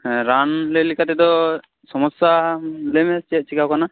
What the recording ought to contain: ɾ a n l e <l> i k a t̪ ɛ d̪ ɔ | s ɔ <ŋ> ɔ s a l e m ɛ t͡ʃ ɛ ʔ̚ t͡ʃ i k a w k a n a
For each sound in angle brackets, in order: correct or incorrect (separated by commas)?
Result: correct, incorrect